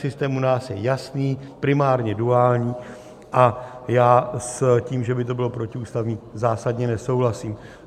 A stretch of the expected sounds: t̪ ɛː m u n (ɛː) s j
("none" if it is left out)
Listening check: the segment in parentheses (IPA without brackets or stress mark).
aː